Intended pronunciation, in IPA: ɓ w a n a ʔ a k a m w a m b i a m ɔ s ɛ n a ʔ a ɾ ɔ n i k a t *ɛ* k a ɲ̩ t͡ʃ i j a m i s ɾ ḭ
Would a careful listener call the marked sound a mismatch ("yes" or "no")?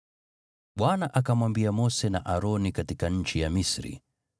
yes